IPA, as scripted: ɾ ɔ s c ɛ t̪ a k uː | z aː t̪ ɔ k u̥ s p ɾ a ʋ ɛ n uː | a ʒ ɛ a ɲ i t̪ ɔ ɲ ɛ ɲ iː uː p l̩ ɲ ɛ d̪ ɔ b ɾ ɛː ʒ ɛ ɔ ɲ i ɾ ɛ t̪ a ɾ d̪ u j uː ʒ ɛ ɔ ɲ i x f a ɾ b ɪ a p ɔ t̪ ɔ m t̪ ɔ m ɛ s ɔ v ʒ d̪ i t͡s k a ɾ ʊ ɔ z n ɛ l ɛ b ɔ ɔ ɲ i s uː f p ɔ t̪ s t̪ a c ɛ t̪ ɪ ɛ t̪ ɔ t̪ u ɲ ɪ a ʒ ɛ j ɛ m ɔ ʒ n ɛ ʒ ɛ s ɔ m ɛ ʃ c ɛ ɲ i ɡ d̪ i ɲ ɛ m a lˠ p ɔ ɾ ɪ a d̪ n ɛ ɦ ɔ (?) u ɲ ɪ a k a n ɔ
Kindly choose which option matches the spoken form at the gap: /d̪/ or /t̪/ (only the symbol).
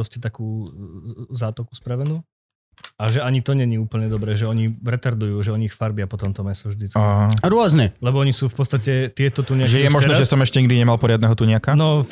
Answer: t̪